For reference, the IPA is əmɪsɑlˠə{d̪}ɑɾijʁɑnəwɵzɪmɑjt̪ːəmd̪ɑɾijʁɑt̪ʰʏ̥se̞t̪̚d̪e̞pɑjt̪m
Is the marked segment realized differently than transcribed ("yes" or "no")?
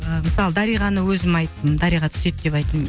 no